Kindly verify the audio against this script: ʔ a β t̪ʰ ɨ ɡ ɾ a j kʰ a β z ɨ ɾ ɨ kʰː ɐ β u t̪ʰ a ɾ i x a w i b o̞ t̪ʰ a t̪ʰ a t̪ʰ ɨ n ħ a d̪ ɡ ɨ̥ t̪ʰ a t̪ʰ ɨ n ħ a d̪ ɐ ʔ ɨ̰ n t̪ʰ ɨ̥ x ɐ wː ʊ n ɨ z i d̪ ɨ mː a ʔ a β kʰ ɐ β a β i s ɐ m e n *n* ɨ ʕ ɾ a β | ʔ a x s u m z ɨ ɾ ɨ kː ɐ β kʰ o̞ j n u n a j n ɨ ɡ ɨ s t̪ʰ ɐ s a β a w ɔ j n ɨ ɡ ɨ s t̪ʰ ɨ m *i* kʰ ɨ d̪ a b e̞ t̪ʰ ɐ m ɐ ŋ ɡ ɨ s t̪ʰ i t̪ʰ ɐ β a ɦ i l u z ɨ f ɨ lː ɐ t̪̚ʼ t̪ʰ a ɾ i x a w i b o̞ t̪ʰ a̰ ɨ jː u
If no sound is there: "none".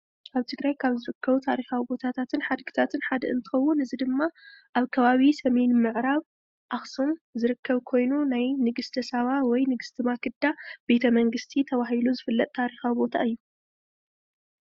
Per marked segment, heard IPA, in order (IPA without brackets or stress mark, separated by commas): m, a